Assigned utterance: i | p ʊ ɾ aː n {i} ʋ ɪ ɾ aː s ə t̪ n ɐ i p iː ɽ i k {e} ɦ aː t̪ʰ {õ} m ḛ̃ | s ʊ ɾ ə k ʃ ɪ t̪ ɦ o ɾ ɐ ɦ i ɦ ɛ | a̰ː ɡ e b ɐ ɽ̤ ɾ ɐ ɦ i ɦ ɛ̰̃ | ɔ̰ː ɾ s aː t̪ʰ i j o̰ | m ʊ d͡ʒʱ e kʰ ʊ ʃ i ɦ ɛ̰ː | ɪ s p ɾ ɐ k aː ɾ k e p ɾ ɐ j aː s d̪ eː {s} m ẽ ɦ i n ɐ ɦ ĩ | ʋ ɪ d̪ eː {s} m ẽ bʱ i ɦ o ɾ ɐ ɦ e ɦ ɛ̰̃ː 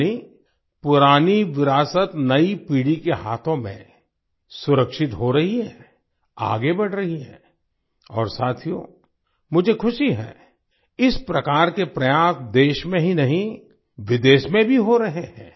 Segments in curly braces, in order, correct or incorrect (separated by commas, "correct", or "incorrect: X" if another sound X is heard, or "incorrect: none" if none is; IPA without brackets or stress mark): correct, correct, correct, incorrect: ʃ, incorrect: ʃ